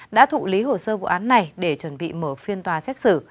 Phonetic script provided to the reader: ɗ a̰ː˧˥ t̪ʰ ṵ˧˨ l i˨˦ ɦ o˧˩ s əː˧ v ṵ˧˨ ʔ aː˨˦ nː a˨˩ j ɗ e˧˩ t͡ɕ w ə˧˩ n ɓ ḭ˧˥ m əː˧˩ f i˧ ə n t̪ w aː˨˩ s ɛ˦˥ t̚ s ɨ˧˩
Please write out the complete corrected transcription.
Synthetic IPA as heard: ɗ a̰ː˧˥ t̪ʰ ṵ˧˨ l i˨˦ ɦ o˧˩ s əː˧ v ṵ˧˨ ʔ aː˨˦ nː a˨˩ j ɗ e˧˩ t͡ɕ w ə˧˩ n ɓ ḭ˧˨ m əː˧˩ f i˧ ə n t̪ w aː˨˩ s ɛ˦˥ t̚ s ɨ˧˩

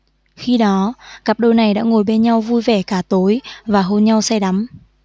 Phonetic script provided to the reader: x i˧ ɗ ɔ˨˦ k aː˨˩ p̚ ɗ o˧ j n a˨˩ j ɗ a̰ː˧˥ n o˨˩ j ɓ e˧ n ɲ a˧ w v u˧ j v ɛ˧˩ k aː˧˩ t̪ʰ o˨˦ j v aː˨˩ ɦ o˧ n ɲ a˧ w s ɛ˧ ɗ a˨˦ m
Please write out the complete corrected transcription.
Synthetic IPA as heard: x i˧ ɗ ɔ˨˦ k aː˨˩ p̚ ɗ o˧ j n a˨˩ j ɗ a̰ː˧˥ ŋ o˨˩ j ɓ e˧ n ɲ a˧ w v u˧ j v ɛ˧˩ k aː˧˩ t̪ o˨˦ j v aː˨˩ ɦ o˧ n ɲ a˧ w s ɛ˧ ɗ a˨˦ m

